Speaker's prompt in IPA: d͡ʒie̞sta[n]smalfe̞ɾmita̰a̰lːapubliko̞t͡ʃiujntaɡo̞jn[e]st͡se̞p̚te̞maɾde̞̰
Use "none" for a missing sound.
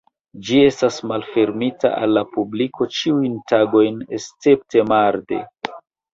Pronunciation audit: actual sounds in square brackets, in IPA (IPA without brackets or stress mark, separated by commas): none, e